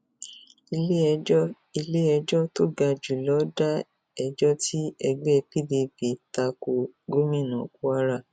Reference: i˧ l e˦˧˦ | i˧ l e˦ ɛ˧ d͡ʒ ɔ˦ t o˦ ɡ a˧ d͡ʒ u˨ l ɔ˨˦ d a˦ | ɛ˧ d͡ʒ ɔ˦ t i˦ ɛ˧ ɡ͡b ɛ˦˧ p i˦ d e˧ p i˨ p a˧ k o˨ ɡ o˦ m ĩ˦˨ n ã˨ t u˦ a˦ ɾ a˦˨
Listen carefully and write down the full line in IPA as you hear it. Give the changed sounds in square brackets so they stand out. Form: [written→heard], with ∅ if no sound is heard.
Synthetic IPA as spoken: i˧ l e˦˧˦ | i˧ l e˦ ɛ˧ d͡ʒ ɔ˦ t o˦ ɡ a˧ d͡ʒ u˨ l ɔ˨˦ d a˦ | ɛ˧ d͡ʒ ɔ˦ t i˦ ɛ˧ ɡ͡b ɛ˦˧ p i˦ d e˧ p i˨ [p→t] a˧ k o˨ ɡ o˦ m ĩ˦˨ n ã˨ [t→k] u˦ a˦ ɾ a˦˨

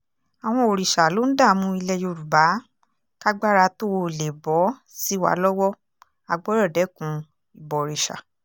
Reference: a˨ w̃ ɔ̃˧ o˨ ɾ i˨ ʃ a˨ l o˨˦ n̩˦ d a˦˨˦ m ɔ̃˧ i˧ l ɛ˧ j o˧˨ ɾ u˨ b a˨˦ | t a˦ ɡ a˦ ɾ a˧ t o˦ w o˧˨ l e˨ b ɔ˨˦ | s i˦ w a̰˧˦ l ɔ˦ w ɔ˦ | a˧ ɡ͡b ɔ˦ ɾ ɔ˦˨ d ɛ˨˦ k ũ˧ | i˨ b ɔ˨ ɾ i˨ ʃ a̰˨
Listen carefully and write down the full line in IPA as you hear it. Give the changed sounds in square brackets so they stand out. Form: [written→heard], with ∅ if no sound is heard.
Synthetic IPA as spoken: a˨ w̃ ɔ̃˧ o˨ ɾ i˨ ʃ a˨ l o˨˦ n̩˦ d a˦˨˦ m [ɔ̃˧→ũ˧] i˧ l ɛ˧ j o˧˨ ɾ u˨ b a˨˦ | [t→k] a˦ [ɡ→ɡ͡b] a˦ ɾ a˧ t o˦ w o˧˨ l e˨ b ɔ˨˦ | s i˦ w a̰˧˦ l ɔ˦ w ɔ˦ | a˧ ɡ͡b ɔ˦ ɾ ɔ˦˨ d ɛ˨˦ k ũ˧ | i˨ b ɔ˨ ɾ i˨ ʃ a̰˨

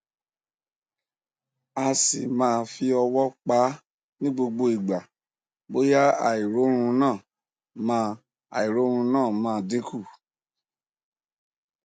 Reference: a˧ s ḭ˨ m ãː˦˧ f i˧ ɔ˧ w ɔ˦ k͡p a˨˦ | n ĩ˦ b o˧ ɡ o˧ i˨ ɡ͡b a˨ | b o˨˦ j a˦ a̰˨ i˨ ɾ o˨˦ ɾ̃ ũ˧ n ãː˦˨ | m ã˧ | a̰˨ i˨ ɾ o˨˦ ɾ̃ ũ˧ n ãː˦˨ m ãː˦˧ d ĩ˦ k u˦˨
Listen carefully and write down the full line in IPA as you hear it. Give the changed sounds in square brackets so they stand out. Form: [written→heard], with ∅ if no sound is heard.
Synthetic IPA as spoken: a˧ s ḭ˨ m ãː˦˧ f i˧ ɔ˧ w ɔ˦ k͡p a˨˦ | n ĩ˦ [b→ɡ͡b] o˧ [ɡ→ɡ͡b] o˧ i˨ ɡ͡b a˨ | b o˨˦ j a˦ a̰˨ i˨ ɾ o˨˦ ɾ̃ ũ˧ n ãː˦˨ | m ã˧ | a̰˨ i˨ ɾ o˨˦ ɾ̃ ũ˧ n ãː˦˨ m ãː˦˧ d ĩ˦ k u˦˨

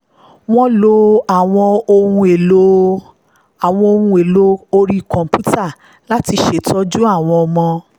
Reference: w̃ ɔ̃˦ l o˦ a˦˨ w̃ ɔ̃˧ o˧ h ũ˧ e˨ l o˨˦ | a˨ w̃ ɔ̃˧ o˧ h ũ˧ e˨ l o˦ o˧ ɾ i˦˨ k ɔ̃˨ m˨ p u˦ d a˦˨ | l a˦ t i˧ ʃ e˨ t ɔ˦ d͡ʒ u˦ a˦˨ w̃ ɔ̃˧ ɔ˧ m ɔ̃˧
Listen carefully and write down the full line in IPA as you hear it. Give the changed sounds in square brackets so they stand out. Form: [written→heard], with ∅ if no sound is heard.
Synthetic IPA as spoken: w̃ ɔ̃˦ l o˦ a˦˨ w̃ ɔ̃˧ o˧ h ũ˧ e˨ l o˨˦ | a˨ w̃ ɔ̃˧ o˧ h ũ˧ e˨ l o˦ o˧ ɾ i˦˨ k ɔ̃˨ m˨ p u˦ [d→t] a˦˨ | l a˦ t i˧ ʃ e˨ t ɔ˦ d͡ʒ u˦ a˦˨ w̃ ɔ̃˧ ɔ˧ m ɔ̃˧

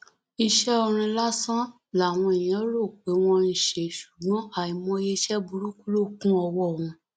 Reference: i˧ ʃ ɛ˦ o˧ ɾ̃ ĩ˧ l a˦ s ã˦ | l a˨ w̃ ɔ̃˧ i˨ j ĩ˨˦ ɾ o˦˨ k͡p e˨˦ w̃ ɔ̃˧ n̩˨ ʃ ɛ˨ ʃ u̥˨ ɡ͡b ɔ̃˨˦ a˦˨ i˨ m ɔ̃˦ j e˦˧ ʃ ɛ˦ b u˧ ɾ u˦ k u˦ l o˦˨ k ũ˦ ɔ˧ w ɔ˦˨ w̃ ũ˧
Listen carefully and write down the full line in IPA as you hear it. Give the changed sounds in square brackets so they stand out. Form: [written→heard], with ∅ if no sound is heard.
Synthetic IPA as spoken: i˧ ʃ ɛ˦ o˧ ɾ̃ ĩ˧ l a˦ s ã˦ | l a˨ w̃ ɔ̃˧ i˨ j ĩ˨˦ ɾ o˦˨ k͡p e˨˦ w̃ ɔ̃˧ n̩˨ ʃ [ɛ˨→e˨] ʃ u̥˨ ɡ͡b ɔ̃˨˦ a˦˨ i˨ m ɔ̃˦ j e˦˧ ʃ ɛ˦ b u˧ ɾ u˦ k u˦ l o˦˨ k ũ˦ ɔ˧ w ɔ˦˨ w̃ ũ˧

